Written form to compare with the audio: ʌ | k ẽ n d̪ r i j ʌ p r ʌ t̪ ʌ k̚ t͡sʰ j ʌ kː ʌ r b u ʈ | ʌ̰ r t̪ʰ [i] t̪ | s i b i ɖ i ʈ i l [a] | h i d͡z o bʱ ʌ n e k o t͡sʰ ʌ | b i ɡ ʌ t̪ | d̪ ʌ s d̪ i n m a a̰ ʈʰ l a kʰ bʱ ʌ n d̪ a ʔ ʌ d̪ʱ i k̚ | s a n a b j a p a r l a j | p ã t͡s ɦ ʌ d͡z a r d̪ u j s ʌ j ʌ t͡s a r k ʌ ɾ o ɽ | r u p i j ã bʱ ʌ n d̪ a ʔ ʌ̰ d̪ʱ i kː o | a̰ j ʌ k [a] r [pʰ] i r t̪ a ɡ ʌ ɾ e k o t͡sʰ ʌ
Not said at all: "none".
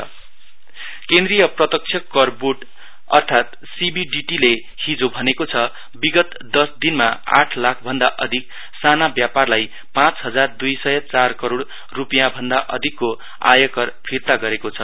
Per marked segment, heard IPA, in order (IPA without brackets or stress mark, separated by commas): a, e, ʌ, pʰ